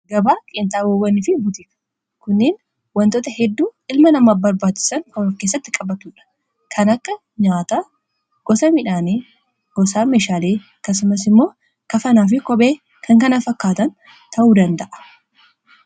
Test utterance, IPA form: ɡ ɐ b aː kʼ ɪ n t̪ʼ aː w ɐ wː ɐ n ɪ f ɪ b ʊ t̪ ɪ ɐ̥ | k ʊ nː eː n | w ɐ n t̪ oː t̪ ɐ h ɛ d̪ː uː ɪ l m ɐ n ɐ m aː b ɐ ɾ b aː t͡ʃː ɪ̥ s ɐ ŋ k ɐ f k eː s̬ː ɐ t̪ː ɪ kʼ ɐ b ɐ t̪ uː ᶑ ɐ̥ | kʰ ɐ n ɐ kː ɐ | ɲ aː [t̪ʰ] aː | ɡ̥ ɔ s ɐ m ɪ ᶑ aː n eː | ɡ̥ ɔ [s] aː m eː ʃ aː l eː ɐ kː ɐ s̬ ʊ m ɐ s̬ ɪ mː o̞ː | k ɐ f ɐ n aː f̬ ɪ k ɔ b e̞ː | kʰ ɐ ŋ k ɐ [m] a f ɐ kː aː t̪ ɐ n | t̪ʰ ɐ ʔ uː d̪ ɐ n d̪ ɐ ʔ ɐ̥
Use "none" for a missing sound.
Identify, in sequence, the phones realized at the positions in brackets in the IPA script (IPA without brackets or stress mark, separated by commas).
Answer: t̪, s, n